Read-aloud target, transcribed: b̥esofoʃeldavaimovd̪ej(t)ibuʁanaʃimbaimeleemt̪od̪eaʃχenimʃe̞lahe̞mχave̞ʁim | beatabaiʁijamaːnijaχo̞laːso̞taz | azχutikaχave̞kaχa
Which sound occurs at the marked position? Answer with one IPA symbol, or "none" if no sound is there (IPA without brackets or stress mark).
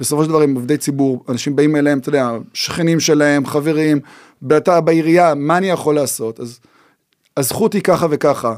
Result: t͡s